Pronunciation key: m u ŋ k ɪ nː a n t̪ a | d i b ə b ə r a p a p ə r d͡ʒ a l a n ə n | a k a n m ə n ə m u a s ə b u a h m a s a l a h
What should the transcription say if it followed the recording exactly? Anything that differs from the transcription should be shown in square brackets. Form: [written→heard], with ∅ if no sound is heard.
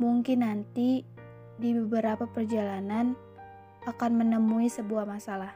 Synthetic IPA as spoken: m u ŋ k ɪ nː a n t̪ [a→i] | d i b ə b ə [r→ɾ] a p a p ə r d͡ʒ a l a n [ə→a] n | a k a n m ə n ə m u [a→i] s ə b u a h m a s a l a h